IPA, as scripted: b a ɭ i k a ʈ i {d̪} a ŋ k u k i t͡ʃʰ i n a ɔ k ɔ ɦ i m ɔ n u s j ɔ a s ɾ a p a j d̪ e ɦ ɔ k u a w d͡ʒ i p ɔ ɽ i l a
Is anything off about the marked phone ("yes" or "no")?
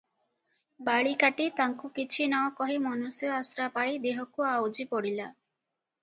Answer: yes